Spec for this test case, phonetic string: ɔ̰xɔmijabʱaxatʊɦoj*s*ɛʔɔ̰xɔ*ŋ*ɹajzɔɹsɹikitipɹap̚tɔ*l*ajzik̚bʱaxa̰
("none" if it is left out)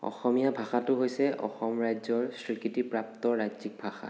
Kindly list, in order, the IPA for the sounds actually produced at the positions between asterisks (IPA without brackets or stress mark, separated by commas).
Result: s, m, ɹ